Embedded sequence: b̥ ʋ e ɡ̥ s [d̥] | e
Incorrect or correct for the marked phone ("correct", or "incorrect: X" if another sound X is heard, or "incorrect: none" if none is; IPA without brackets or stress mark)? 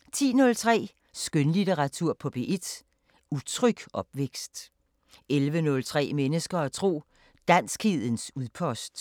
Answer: correct